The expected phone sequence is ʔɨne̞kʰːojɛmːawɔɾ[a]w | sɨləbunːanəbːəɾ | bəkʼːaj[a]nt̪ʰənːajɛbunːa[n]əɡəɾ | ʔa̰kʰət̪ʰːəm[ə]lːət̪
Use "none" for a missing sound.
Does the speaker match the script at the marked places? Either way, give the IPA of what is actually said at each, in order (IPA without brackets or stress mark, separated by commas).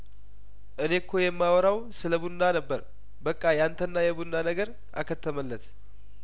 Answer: a, a, n, ə